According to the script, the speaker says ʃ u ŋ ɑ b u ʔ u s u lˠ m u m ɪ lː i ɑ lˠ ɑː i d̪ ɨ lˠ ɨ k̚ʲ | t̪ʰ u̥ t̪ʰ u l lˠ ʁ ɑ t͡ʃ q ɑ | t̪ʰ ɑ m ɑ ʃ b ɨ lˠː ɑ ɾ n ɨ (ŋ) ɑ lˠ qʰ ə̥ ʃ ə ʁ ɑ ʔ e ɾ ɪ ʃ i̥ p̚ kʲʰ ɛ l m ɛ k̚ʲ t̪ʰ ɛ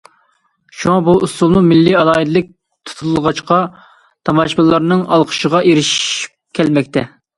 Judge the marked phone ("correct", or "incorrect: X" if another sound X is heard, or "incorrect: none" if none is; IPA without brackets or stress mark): correct